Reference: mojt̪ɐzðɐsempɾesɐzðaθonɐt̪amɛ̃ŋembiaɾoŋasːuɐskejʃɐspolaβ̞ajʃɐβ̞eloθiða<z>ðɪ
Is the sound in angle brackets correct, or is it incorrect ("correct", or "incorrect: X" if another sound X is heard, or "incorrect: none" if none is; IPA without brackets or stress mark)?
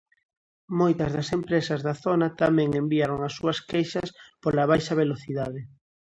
incorrect: none